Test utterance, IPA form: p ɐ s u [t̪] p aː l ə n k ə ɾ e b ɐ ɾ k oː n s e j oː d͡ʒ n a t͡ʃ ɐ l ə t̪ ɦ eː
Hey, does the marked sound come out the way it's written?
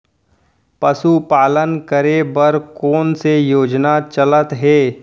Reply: no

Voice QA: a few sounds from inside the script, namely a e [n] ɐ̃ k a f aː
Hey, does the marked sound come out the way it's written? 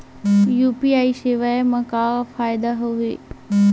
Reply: no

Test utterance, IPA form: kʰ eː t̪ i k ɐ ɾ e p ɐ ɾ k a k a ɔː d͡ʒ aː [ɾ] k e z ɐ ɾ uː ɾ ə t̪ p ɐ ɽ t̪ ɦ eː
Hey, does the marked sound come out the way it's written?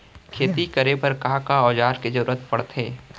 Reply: yes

